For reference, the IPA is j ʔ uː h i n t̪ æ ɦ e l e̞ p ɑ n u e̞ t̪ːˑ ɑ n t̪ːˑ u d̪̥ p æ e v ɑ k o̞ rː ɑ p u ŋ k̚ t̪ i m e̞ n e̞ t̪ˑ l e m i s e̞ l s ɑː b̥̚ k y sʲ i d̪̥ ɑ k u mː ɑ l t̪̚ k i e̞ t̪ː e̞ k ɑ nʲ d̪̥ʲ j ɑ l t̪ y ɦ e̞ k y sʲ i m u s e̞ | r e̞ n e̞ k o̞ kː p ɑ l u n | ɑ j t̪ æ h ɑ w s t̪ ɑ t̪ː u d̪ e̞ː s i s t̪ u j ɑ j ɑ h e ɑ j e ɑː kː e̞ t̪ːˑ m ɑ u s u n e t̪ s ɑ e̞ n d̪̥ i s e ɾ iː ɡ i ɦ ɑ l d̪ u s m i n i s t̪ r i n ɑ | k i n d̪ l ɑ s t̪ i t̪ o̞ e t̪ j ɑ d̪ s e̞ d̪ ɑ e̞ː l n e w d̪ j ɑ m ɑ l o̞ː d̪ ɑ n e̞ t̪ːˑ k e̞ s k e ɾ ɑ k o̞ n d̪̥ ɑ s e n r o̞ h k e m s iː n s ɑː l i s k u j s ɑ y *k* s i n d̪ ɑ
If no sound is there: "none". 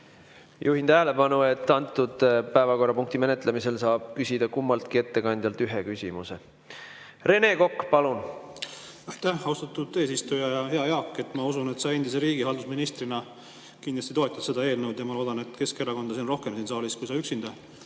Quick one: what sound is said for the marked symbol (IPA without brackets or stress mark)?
k